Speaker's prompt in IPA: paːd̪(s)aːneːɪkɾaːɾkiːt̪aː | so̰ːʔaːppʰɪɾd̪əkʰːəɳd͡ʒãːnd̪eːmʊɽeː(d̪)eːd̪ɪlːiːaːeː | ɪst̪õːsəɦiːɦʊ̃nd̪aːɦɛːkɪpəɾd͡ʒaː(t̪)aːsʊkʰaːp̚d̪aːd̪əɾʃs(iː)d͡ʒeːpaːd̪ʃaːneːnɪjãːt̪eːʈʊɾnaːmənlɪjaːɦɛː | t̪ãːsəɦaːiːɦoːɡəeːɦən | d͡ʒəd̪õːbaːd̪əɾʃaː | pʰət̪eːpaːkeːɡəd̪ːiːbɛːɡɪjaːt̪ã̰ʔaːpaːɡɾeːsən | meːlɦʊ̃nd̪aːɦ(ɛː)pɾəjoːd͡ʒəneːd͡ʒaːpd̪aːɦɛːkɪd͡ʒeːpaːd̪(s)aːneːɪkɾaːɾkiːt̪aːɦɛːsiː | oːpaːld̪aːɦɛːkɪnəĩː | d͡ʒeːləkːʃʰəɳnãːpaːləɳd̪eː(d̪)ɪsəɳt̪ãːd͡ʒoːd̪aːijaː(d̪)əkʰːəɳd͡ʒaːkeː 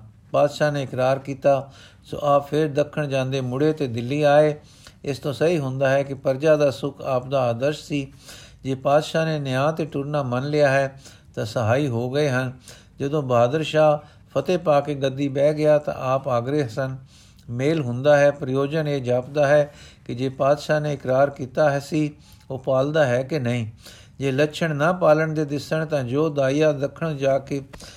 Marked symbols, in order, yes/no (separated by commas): no, no, no, yes, yes, no, yes, yes